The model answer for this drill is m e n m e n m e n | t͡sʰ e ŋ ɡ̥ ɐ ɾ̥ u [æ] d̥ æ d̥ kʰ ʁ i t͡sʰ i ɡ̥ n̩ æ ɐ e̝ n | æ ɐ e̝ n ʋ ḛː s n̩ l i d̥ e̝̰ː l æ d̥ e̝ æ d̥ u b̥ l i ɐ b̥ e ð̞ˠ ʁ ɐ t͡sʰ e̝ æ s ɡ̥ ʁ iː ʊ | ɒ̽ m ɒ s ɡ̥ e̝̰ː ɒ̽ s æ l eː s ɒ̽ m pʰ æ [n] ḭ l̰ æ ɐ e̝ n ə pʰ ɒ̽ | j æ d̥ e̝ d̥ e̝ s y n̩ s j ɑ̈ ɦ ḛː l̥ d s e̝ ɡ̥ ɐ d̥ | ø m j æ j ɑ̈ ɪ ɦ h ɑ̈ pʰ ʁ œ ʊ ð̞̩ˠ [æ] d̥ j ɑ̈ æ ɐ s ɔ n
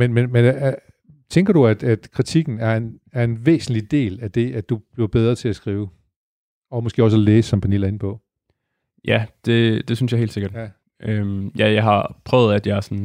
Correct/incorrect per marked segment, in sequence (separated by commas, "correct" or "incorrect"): correct, correct, correct